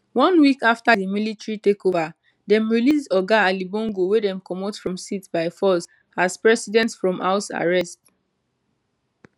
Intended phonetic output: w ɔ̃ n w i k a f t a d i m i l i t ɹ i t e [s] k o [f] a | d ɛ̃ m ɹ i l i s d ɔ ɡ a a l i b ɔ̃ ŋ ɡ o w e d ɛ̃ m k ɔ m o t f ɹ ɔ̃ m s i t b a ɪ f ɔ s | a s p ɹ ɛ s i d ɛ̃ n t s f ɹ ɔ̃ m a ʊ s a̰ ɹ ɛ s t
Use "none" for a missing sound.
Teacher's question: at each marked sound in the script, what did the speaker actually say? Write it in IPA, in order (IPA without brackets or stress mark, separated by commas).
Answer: none, v